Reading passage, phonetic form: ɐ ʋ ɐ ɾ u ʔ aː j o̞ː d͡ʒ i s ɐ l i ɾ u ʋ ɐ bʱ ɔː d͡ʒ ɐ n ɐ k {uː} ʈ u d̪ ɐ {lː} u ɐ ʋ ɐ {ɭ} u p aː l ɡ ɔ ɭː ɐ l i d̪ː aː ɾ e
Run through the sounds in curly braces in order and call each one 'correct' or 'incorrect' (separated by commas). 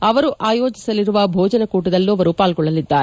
correct, correct, incorrect